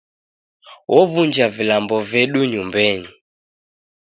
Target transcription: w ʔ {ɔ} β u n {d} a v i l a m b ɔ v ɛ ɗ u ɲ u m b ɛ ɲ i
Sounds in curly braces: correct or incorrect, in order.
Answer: correct, incorrect: d͡ʒ

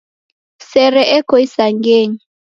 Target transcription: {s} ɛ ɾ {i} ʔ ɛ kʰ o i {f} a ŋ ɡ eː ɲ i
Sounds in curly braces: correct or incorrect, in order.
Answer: correct, incorrect: ɛ, incorrect: s

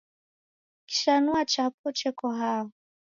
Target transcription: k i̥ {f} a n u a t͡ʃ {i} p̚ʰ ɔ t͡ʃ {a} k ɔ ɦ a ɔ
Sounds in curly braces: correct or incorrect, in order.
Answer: incorrect: ʃ, incorrect: a, incorrect: ɛ

